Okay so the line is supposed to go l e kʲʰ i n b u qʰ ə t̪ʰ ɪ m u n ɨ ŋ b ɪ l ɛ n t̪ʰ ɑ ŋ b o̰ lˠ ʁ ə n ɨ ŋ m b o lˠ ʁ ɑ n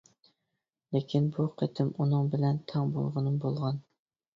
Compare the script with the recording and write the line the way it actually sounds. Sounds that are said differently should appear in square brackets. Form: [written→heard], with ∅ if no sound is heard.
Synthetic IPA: l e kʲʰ i n b u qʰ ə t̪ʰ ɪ m u n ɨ ŋ b ɪ l ɛ n t̪ʰ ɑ ŋ b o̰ lˠ ʁ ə n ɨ [ŋ→∅] m b o lˠ ʁ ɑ n